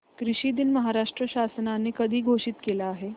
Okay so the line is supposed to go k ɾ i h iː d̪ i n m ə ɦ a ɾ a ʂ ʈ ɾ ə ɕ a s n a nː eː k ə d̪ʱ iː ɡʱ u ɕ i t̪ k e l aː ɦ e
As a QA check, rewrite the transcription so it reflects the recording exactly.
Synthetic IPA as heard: k ɾ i ɕ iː d̪ i n m ə ɦ a ɾ a ʂ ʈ ɾ ə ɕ a s n a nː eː k ə d̪ʱ iː ɡʱ o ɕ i t̪ k e l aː ɦ e